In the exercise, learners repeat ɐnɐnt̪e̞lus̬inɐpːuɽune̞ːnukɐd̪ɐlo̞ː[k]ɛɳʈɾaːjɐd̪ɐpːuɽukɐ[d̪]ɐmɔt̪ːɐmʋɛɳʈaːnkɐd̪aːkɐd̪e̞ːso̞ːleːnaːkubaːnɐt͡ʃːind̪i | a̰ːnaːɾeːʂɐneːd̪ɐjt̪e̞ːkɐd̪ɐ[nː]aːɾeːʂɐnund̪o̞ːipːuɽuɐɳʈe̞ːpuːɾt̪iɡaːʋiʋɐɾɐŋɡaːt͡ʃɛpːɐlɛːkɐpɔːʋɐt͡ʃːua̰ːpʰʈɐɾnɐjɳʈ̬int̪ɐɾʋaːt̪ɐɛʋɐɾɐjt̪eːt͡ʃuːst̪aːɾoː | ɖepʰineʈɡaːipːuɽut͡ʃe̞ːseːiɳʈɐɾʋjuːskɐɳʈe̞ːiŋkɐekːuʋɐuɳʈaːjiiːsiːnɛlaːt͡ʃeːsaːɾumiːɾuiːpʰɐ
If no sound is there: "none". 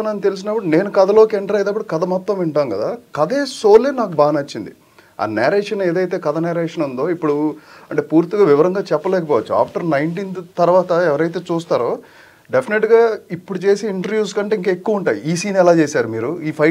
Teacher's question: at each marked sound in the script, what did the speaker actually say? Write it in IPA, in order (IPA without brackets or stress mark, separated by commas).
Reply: k, d̪, n